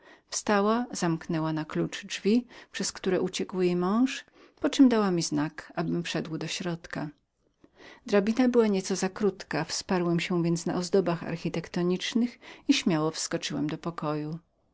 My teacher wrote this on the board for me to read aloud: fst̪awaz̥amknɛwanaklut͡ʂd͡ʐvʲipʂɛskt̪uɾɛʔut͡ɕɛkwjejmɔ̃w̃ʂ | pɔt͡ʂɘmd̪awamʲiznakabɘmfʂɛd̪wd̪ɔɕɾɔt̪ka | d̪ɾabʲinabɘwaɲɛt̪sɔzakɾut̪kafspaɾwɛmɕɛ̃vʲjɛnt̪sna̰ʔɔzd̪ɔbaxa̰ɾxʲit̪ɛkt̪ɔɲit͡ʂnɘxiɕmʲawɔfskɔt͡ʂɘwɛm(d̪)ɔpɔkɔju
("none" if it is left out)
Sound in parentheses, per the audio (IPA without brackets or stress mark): d̪